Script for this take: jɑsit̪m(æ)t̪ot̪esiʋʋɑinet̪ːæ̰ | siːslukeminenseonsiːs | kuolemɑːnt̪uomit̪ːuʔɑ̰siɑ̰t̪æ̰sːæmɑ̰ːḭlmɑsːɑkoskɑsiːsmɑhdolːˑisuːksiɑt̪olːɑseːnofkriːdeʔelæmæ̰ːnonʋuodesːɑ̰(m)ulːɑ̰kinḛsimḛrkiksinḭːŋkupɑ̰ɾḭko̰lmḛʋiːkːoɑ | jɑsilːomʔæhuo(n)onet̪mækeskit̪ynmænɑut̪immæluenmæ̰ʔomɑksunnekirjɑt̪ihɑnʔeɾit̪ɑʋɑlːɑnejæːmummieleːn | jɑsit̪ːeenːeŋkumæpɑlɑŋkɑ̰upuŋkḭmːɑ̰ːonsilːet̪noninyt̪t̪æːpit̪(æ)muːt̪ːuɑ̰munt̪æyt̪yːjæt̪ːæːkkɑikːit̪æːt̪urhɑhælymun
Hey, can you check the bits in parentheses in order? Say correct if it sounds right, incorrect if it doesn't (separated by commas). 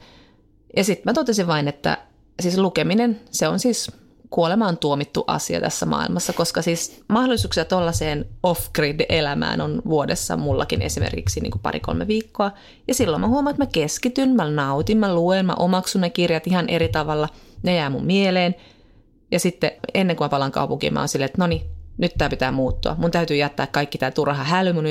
correct, correct, incorrect, incorrect